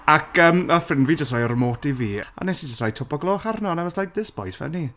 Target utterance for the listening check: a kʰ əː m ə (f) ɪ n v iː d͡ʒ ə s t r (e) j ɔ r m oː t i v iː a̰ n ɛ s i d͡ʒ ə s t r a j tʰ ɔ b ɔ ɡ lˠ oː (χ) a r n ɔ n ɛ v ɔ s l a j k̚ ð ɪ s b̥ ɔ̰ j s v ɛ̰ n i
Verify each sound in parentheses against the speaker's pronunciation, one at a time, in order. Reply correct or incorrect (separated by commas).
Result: correct, incorrect, correct